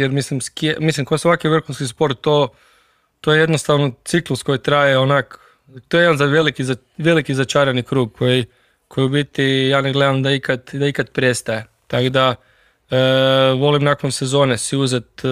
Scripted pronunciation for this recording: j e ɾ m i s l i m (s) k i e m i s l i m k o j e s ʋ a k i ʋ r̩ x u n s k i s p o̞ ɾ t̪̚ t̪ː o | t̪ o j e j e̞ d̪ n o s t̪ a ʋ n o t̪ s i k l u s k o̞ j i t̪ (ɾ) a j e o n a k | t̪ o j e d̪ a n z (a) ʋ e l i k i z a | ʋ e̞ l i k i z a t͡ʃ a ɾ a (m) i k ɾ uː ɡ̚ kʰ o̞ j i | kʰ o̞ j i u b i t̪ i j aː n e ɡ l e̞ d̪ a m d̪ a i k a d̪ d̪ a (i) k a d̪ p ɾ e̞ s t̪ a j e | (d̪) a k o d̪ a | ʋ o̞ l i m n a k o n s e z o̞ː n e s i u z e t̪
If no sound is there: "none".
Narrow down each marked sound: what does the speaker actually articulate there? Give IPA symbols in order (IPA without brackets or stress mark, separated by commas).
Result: s, ɾ, a, n, i, t̪